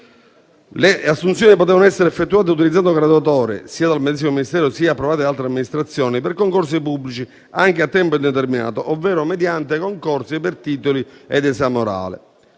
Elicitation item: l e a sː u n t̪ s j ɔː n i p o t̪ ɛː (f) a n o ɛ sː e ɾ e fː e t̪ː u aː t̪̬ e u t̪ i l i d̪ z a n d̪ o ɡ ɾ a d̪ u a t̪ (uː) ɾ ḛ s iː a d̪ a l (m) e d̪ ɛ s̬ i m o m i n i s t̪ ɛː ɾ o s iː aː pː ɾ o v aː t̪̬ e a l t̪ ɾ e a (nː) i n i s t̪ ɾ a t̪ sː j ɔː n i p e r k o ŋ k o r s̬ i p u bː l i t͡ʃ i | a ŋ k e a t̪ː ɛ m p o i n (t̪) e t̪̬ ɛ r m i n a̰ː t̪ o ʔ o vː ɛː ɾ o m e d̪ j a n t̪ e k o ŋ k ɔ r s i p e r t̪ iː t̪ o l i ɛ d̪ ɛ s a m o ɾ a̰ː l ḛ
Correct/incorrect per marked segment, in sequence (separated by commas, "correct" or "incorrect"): incorrect, incorrect, correct, incorrect, incorrect